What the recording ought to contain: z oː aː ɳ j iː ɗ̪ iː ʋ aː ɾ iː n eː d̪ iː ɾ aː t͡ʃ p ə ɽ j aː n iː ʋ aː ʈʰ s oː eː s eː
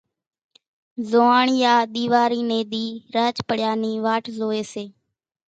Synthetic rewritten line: z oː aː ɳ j aː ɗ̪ iː ʋ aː ɾ iː n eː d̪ iː ɾ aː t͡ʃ p ə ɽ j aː n iː ʋ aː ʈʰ z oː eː s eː